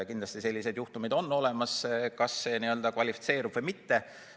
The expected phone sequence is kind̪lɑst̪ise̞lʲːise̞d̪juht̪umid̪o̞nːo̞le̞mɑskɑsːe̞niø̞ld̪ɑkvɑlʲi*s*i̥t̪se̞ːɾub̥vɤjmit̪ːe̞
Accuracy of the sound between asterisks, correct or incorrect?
incorrect: f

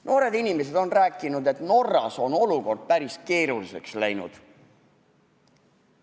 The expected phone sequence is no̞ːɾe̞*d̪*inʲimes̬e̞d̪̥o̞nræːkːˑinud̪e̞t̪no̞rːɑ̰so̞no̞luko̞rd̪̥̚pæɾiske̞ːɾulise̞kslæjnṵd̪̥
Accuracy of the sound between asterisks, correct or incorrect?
correct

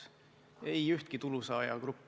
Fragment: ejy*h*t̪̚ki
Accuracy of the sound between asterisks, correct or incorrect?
correct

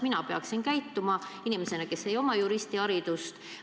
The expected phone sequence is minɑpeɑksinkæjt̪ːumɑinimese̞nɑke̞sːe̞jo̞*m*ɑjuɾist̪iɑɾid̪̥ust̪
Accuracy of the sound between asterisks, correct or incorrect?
correct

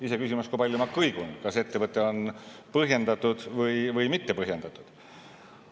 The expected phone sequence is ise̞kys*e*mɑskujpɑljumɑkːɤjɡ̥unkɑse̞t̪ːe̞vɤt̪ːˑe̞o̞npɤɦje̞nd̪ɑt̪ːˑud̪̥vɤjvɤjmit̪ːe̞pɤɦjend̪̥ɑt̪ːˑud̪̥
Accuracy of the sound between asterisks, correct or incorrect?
incorrect: i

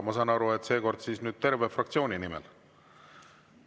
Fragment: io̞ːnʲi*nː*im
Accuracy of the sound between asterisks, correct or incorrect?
incorrect: n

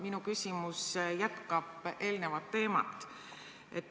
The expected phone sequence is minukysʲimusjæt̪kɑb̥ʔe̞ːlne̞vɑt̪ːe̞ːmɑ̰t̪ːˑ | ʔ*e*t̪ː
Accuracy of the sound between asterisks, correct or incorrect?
correct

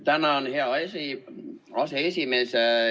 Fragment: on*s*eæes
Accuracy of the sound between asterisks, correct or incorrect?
incorrect: h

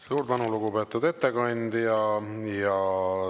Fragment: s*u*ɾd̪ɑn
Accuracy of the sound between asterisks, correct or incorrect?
incorrect: uː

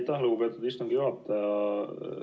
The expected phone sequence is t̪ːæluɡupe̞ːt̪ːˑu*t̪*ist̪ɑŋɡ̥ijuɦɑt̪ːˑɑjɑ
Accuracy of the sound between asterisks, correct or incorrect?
incorrect: d̪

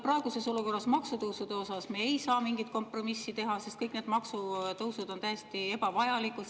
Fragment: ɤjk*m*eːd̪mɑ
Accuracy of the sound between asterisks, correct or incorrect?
incorrect: n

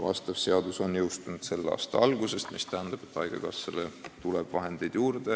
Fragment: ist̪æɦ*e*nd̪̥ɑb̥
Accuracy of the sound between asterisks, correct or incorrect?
incorrect: æ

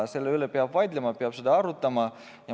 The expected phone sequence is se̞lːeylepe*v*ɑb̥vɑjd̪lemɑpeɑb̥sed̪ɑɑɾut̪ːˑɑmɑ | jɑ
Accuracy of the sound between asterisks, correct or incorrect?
incorrect: none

